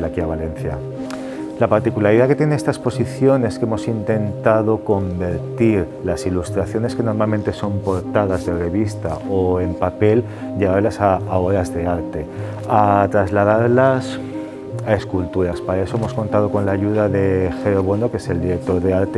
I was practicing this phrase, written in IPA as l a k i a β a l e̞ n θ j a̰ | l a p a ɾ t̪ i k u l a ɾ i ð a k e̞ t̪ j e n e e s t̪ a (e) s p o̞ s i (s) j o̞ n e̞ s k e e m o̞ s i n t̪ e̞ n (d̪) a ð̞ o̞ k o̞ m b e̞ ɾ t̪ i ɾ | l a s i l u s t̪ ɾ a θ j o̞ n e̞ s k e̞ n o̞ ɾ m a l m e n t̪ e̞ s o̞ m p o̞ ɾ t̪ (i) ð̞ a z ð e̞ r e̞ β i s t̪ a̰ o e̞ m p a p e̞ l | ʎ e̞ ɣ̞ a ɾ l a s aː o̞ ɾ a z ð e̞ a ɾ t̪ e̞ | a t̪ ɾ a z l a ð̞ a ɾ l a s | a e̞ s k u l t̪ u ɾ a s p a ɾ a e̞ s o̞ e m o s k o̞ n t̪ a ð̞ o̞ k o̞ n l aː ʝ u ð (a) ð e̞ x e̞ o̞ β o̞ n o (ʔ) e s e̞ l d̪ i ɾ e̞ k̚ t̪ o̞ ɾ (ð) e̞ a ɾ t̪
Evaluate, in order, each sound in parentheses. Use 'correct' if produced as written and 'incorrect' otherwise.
correct, incorrect: θ, incorrect: t̪, incorrect: a, correct, incorrect: k, correct

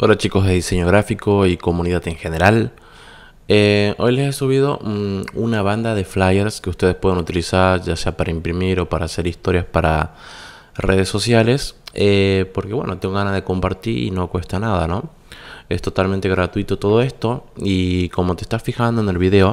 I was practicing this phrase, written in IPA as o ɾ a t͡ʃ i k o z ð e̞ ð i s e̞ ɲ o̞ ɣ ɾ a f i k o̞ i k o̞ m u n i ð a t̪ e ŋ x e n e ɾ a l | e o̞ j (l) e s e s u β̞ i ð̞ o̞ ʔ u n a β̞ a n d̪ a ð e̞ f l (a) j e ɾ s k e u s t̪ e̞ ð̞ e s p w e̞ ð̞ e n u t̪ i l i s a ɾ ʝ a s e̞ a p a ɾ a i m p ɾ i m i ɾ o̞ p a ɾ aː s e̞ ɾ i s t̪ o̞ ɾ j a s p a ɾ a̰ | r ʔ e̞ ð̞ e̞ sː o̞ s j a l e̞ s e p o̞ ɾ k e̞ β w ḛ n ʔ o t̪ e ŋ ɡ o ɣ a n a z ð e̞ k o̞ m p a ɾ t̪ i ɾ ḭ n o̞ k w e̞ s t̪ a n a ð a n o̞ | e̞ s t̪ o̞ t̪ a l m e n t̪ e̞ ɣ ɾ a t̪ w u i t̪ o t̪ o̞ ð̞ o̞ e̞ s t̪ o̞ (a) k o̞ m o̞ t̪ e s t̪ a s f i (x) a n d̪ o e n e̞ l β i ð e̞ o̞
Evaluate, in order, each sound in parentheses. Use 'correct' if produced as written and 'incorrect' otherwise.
correct, correct, incorrect: i, correct

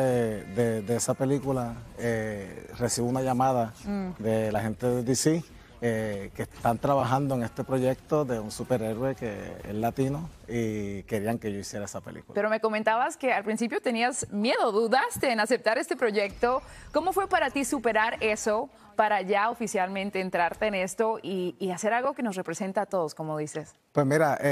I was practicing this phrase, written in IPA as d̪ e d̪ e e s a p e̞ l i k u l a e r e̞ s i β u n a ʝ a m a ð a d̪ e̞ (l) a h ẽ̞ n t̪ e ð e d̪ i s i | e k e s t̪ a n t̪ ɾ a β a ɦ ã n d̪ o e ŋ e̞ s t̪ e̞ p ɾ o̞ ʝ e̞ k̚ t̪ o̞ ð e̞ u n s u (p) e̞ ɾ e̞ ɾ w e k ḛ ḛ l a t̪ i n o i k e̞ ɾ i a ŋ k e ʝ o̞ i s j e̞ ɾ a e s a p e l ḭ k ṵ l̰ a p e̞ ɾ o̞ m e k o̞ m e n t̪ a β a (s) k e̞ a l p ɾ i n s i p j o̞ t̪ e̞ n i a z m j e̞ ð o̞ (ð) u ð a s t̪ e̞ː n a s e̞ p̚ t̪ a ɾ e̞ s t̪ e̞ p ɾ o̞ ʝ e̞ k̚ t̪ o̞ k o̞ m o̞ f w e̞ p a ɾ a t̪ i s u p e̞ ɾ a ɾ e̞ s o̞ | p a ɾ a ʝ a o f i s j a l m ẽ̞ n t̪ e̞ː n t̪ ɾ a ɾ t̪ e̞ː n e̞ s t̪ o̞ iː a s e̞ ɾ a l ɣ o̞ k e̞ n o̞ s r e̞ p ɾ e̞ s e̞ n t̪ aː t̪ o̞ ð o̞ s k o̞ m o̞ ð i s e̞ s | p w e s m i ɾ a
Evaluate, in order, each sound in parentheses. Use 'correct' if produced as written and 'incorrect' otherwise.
correct, correct, correct, correct

